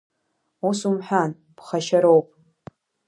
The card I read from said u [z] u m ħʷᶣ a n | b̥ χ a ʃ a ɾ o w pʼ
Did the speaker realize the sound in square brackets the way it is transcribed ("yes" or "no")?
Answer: no